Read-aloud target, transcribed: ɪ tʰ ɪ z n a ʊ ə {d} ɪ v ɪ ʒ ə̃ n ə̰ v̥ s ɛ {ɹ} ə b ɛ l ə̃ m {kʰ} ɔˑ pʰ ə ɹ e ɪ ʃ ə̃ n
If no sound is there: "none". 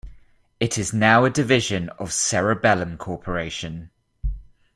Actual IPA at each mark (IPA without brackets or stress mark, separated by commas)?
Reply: d, ɹ, kʰ